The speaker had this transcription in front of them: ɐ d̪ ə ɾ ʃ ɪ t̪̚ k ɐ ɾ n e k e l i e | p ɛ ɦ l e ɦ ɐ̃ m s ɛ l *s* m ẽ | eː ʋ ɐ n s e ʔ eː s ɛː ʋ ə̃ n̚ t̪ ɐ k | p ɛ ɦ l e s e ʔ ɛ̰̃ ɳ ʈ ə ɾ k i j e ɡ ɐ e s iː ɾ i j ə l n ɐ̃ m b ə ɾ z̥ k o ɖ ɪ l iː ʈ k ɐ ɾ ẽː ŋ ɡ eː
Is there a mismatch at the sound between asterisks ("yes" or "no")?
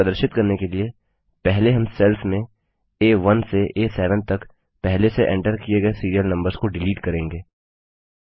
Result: yes